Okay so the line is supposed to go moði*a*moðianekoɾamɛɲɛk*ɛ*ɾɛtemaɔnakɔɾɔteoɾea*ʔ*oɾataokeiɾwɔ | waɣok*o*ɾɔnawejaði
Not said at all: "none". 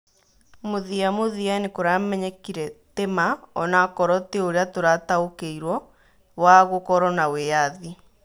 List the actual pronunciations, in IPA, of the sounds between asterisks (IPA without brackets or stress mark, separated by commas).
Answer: a, i, t, ɔ